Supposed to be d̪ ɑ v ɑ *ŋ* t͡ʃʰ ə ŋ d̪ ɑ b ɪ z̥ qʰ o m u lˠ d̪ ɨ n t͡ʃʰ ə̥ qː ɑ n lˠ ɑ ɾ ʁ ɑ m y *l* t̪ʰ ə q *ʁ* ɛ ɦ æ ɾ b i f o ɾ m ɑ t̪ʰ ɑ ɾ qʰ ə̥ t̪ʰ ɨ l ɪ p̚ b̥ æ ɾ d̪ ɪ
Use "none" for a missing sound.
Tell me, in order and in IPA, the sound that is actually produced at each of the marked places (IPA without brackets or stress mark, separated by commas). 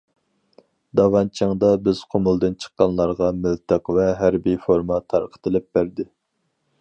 n, l, v